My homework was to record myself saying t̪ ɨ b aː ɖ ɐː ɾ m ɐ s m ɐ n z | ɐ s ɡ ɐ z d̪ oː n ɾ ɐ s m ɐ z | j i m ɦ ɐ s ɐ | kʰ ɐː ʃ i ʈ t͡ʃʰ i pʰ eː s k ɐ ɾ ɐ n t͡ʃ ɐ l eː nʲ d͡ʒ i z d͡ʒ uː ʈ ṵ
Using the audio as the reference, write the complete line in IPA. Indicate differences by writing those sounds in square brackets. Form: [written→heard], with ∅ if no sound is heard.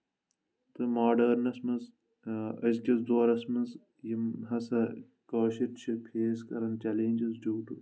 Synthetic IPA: t̪ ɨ [b→m] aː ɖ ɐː ɾ [m→n] ɐ s m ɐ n z | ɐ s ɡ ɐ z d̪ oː [n→∅] ɾ ɐ s m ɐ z | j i m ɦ ɐ s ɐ | [kʰ→k] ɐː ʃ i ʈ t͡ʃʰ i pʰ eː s k ɐ ɾ ɐ n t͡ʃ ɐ l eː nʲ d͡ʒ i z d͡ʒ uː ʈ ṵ